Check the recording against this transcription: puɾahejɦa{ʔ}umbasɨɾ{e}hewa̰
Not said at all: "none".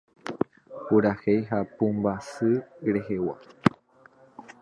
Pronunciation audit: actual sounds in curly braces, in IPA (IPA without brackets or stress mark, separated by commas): p, e